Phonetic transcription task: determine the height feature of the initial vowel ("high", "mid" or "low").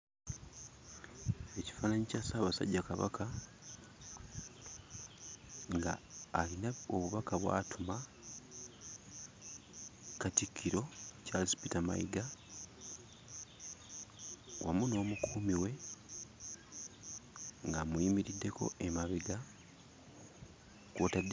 mid